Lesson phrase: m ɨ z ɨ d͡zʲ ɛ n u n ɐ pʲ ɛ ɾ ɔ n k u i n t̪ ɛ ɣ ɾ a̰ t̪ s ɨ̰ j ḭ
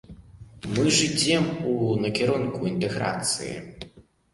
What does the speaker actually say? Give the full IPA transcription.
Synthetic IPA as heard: m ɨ ʐ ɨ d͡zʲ ɛ m u n ɐ kʲ ɛ ɾ ɔ n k u i n t̪ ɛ ɣ ɾ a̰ t̪ s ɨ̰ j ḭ